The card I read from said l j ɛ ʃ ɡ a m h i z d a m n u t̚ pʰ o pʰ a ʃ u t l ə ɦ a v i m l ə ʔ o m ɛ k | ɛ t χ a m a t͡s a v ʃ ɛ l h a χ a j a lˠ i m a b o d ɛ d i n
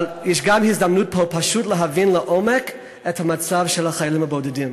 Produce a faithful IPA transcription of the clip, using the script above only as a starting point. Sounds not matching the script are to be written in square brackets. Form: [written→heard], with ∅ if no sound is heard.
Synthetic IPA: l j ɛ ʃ ɡ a m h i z d a m n u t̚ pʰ o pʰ a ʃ u t l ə ɦ a v i [m→n] l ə ʔ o m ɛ k | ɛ t [χ→h] a m a t͡s a v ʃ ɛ l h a χ a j a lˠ i m a b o d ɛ d i [n→m]